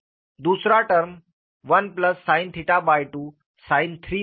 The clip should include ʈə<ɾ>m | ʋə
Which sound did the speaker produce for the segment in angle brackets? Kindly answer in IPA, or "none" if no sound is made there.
ɾ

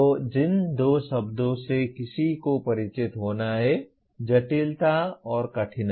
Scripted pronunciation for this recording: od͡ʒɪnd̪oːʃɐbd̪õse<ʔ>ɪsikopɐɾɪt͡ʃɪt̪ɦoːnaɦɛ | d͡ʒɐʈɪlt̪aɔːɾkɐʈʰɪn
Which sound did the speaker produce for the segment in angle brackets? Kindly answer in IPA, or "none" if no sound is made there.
k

